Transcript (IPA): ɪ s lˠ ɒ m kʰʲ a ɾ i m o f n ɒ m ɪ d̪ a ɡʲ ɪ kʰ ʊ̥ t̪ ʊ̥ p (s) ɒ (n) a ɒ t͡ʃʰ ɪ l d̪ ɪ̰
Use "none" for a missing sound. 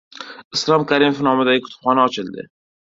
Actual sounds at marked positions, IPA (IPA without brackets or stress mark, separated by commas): χ, n